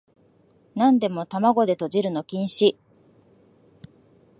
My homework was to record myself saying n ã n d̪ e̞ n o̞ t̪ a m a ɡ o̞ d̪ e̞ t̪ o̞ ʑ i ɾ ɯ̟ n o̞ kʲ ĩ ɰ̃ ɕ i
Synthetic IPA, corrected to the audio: n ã n d̪ e̞ m o̞ t̪ a m a ɡ o̞ d̪ e̞ t̪ o̞ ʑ i ɾ ɯ̟ n o̞ kʲ ĩ ɰ̃ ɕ i